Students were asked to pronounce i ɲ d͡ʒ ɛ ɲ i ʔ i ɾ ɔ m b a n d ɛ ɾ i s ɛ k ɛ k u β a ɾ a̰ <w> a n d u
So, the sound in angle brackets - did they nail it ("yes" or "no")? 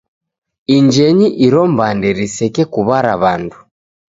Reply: no